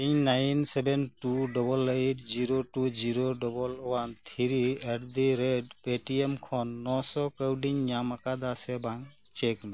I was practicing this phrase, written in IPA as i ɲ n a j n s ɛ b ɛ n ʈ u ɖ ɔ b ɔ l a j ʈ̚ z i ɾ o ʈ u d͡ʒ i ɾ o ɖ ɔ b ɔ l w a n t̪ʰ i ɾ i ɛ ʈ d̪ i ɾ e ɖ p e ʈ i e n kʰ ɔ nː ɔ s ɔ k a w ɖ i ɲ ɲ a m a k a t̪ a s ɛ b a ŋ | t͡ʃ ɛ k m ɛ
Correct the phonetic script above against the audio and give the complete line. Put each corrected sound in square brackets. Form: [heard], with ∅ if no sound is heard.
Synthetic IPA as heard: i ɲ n a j n s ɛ b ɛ n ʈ u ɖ ɔ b ɔ l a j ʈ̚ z i ɾ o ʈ u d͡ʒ i ɾ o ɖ ɔ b ɔ l w a n t̪ʰ i ɾ i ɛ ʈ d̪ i ɾ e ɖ p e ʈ i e [m] kʰ ɔ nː ɔ s ɔ k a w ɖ i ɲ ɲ a m a k a [d̪] a s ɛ b a ŋ | t͡ʃ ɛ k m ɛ

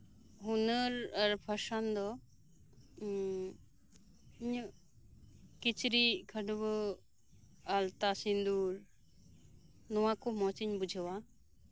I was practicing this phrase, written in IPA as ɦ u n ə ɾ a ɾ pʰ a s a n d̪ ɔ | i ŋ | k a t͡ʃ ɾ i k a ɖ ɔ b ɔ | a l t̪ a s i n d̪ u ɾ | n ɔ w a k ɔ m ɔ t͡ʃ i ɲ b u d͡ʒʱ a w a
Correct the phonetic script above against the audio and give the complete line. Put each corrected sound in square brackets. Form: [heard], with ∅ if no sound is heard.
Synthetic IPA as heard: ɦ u n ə ɾ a ɾ pʰ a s a n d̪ ɔ | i [ɲ] | k [i] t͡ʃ ɾ i [kʰ] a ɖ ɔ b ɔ | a l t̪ a s i n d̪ u ɾ | n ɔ w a k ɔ m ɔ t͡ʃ i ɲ b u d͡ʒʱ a w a

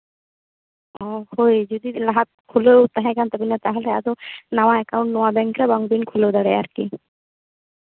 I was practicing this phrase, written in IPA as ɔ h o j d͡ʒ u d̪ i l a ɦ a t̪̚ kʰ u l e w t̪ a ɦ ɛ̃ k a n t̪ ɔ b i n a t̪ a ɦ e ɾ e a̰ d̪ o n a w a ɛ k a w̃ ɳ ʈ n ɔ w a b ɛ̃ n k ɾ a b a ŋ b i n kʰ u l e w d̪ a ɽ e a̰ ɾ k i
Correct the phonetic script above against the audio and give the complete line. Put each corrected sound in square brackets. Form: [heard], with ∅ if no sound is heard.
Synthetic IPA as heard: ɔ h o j d͡ʒ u d̪ i l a ɦ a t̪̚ kʰ u l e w t̪ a ɦ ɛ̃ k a n t̪ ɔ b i n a t̪ a ɦ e [l] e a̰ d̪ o n a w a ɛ k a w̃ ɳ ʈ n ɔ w a b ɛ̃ [ŋ] k ɾ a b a ŋ b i n kʰ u l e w d̪ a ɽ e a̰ ɾ k i

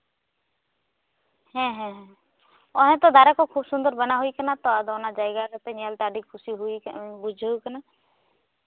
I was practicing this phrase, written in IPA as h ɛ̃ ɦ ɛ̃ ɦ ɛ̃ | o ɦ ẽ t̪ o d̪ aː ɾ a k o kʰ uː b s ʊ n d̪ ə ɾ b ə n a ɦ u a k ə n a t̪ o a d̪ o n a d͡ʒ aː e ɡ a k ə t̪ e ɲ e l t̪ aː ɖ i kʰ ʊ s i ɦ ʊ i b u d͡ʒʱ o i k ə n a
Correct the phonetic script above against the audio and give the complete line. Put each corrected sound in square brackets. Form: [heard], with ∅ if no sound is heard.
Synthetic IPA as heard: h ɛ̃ ɦ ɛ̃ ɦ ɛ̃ | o ɦ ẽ t̪ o d̪ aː ɾ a k o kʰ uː b s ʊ n d̪ ə ɾ b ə n a ɦ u [i] k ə n a t̪ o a d̪ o n a d͡ʒ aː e ɡ a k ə t̪ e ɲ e l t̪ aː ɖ i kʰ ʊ s i ɦ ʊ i b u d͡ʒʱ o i k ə n a

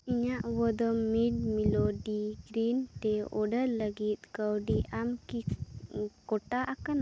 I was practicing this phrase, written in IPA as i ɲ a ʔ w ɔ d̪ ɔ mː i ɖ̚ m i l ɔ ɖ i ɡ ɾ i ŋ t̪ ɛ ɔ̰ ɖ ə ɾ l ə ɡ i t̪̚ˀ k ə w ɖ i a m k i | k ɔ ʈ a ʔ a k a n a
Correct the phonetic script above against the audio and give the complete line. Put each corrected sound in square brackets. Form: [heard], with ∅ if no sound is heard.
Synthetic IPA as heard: i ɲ a ʔ w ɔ d̪ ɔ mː i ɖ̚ m i l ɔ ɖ i ɡ ɾ i [n] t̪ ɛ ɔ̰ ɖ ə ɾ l ə ɡ i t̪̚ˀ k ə w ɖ i a m k i | k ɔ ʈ a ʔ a k a n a

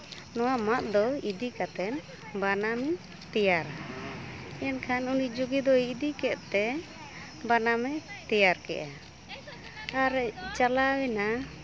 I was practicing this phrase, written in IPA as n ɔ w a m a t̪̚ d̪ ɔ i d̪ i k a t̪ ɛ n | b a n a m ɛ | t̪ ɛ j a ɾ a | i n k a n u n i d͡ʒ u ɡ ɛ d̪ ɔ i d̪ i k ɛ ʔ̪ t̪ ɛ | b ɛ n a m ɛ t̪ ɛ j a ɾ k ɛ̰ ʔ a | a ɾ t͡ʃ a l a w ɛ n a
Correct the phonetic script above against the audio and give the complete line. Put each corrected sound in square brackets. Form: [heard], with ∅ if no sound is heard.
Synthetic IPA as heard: n ɔ w a m a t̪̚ d̪ ɔ i d̪ i k a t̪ ɛ n | b a n a m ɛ | t̪ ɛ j a ɾ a | [ɛ] n [kʰ] a n u n i d͡ʒ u ɡ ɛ d̪ ɔ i d̪ i k ɛ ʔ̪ t̪ ɛ | b [a] n a m ɛ t̪ ɛ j a ɾ k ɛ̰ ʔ a | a ɾ t͡ʃ a l a w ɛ n a

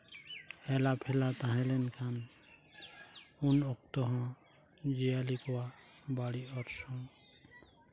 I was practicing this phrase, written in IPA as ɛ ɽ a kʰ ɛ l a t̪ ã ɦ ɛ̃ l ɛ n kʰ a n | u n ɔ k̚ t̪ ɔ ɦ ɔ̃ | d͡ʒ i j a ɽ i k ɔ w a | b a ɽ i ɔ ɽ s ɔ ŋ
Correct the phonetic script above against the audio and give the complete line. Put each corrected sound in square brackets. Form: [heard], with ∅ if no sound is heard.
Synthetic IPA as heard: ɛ [l] a [pʰ] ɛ l a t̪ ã ɦ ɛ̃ l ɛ n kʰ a n | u n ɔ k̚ t̪ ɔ ɦ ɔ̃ | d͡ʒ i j a [l] i k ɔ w a | b a ɽ i ɔ [ɾ] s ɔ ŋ

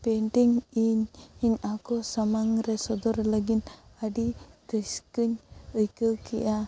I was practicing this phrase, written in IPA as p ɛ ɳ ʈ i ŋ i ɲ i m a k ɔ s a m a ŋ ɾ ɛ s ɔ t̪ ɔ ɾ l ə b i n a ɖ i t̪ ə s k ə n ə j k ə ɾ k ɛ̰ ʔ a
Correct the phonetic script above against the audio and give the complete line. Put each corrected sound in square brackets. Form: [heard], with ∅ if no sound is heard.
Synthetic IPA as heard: p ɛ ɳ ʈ i ŋ i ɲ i [ɲ] a k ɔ s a m a ŋ ɾ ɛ s ɔ [d̪] ɔ ɾ l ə [ɡ] i n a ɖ i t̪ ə s k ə [ɲ] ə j k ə [∅] k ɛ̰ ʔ a

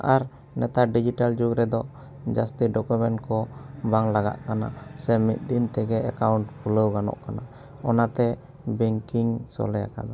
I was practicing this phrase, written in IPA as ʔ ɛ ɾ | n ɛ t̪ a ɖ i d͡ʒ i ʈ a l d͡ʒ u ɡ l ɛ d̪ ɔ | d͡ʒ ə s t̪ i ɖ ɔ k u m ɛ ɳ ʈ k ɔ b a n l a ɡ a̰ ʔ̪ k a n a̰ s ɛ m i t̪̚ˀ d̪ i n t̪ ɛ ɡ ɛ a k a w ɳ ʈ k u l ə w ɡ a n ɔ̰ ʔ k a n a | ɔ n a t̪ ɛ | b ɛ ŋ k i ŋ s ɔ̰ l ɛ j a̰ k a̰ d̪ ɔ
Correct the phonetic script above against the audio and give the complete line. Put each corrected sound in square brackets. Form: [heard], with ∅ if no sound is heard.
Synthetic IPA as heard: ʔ [a] ɾ | n ɛ t̪ a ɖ i d͡ʒ i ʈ a l d͡ʒ u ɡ [ɾ] ɛ d̪ ɔ | d͡ʒ [a] s t̪ i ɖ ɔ k u m ɛ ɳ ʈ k ɔ b a [ŋ] l a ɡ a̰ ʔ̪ k a n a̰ s ɛ m i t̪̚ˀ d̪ i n t̪ ɛ ɡ ɛ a k a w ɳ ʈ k u l ə w ɡ a n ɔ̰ ʔ k a n a | ɔ n a t̪ ɛ | b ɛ ŋ k i ŋ s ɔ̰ l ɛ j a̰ k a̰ d̪ ɔ

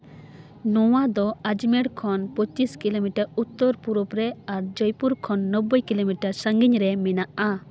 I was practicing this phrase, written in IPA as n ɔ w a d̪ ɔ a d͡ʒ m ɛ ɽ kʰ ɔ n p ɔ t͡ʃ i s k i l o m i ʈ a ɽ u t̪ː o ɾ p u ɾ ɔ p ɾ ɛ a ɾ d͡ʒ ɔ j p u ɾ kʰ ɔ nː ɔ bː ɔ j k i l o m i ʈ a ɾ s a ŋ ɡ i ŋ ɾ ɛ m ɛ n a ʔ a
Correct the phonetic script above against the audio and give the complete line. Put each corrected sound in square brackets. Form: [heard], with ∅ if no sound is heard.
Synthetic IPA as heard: n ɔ w a d̪ ɔ a d͡ʒ m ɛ ɽ kʰ ɔ n p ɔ t͡ʃ i s k i l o m i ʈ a [ɾ] u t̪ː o ɾ p u ɾ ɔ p ɾ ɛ a ɾ d͡ʒ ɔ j p u ɾ kʰ ɔ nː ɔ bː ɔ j k i l o m i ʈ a ɾ s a ŋ ɡ i [ɲ] ɾ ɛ m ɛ n a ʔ a

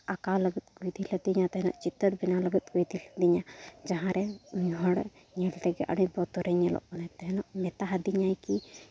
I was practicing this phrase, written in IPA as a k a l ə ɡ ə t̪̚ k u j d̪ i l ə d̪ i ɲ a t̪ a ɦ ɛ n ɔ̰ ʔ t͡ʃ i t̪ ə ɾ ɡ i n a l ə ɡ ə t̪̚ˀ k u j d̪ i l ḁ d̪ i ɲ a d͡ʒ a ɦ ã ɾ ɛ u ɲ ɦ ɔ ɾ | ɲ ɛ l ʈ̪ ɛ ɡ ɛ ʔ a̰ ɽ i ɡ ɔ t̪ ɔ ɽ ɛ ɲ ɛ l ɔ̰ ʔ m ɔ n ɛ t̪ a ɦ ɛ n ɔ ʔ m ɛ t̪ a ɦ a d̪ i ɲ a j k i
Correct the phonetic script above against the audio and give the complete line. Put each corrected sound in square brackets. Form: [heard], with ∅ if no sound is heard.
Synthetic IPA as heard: a k a l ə ɡ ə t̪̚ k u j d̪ i l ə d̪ i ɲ a t̪ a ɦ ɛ n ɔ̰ ʔ t͡ʃ i t̪ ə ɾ [b] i n a l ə ɡ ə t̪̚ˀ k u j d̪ i l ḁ d̪ i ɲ a d͡ʒ a ɦ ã ɾ ɛ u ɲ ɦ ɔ [ɽ] | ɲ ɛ l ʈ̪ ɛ ɡ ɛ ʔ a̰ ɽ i [b] ɔ t̪ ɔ [ɾ] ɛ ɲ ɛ l ɔ̰ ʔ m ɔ n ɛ t̪ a ɦ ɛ n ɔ ʔ m ɛ t̪ a ɦ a d̪ i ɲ a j k i

